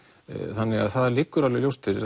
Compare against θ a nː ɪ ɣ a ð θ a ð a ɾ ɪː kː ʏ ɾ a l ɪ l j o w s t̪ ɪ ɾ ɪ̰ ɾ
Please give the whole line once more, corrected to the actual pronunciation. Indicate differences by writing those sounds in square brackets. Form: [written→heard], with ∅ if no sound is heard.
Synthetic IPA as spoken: θ a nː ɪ ɣ a ð θ a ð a [ɾ→l] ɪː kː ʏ ɾ a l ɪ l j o w s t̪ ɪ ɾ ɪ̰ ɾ